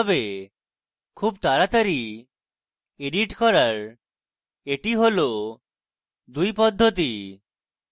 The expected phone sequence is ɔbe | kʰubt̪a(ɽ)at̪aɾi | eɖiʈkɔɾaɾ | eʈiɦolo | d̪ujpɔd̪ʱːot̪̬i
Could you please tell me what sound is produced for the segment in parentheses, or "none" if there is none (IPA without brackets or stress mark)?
ɾ